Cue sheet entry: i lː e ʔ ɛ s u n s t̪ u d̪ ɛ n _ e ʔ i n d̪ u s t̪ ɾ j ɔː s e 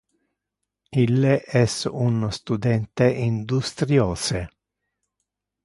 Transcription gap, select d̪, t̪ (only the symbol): t̪